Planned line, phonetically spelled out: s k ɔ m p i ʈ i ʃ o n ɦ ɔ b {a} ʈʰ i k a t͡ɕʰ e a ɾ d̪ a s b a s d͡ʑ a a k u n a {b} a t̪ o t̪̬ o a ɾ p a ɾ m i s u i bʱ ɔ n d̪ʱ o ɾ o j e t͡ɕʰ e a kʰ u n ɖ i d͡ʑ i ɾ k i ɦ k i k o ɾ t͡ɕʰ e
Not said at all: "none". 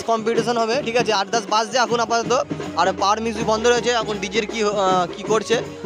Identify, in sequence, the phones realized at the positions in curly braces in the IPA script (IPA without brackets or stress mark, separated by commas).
e, p